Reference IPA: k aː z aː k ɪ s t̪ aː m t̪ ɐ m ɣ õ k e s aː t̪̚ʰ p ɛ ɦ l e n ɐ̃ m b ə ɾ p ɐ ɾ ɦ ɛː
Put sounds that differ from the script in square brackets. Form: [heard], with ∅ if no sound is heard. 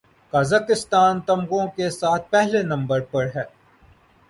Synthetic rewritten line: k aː z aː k ɪ s t̪ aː [n] t̪ ɐ m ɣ õ k e s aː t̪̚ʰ p ɛ ɦ l e n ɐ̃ m b ə ɾ p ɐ ɾ ɦ ɛː